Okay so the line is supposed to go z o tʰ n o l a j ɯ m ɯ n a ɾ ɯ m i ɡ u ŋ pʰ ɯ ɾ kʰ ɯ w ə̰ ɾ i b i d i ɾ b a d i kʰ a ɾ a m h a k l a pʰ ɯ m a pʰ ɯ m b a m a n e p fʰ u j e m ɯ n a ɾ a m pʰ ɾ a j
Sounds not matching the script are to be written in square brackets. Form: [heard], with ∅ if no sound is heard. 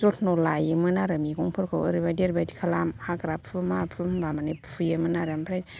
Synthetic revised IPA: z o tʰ n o l a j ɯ m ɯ n a ɾ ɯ m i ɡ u ŋ pʰ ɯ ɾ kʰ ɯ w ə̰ ɾ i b [a] d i ɾ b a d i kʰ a [l] a m h a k [ɾ] a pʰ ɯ m a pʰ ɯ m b a m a n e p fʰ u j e m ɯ n a ɾ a m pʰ ɾ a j

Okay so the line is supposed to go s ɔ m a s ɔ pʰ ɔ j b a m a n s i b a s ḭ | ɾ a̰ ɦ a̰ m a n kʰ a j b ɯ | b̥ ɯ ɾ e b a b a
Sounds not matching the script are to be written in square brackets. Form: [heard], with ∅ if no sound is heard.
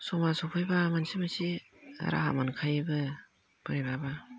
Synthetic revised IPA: s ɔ m a s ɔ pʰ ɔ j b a m a n s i [m] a s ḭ | ɾ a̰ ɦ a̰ m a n kʰ a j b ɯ | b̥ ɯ ɾ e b a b a

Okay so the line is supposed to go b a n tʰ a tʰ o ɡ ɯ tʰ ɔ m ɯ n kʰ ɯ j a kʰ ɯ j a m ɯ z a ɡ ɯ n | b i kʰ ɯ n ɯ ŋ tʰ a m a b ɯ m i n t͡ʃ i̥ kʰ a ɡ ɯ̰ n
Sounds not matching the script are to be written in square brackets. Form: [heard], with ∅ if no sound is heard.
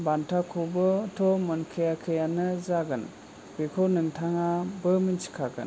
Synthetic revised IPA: b a n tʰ a [kʰ] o [b] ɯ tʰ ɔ m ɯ n kʰ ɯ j a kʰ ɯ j a [n] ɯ z a ɡ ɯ n | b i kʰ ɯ n ɯ ŋ tʰ a [ŋ] a b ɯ m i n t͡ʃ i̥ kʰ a ɡ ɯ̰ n

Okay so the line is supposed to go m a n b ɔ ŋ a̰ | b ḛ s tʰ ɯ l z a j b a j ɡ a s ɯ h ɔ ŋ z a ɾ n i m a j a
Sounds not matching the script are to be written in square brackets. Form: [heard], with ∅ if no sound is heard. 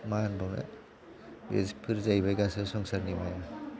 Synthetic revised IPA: m a n b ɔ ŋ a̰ | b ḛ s [pʰ] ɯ [ɾ] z a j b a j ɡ a s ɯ [s] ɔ ŋ [s] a ɾ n i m a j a

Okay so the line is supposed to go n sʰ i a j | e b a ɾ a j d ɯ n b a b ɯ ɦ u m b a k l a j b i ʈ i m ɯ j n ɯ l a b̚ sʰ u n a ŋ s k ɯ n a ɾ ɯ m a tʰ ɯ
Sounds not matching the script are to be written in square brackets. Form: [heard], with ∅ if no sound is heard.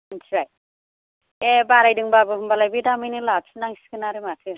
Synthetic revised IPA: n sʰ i a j | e b a ɾ a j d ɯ [ŋ] b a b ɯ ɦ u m b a [∅] l a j b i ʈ [a] m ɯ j n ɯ l a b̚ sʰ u n a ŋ s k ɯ n a ɾ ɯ m a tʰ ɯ

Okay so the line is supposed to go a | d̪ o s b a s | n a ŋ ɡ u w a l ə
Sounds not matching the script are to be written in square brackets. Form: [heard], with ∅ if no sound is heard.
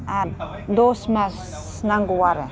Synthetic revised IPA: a | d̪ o s [m] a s | n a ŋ ɡ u w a [ɾ] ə

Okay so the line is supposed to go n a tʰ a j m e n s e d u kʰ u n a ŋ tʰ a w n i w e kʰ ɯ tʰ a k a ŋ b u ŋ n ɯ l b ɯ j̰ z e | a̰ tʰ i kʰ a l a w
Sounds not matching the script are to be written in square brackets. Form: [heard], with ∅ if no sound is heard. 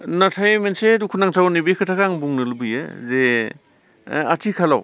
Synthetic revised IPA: n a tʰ a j m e n s e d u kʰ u n a ŋ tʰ a w n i [b] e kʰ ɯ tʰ a k a ŋ b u ŋ n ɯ l b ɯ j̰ z e | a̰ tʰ i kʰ a l a w

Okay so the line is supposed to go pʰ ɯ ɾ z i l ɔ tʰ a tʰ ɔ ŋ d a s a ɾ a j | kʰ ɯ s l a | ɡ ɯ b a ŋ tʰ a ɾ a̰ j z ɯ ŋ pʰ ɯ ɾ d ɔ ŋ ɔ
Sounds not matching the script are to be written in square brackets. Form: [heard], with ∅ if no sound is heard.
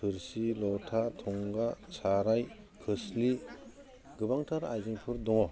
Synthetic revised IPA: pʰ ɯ ɾ [s] i l ɔ tʰ a tʰ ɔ ŋ [ɡ] a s a ɾ a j | kʰ ɯ s l [i] | ɡ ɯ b a ŋ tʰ a ɾ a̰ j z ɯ ŋ pʰ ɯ ɾ d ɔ ŋ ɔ

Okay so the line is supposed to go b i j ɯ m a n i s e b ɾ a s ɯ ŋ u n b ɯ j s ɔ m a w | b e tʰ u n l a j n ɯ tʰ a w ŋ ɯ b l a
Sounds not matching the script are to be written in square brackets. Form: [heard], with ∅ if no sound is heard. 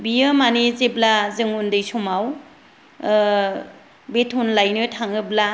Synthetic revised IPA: b i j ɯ m a n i [z] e b [l] a [z] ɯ ŋ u n [d] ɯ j s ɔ m a w | b e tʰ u n l a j n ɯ tʰ a [∅] ŋ ɯ b l a

